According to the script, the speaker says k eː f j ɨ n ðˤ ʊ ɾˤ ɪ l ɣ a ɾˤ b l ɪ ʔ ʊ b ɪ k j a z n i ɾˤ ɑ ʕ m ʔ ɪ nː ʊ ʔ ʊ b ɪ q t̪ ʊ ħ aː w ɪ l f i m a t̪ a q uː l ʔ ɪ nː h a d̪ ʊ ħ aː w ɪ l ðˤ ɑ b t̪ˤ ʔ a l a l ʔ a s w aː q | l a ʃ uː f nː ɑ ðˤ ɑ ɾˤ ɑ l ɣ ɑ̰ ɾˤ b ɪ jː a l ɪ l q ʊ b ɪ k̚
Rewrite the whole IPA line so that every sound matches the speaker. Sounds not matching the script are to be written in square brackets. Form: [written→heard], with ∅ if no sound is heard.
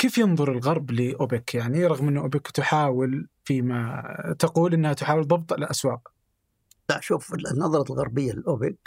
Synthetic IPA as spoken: k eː f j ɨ n ðˤ ʊ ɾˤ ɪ l ɣ [a→ɑ] ɾˤ b l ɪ ʔ ʊ b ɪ k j a [z→ʕ] n i ɾˤ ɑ [ʕ→ɣ] m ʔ ɪ nː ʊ ʔ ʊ b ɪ [q→k] t̪ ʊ ħ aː w ɪ l f i m a t̪ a q uː l ʔ ɪ nː h a [d̪→t̪] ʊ ħ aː w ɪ l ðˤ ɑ b t̪ˤ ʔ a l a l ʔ a s w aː q | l a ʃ uː f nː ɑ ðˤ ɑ ɾˤ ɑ l ɣ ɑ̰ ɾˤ b ɪ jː a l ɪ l [q→ʔ] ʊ b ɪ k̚